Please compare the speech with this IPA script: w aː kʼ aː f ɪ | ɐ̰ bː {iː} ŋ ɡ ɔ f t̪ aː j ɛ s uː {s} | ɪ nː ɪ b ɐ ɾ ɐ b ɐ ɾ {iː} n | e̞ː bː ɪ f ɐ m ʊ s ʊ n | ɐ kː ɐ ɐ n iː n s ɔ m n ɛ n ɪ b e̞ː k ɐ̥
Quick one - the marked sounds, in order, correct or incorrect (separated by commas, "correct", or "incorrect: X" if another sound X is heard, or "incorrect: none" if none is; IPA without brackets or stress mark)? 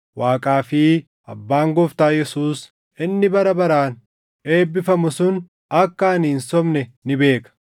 incorrect: aː, correct, incorrect: aː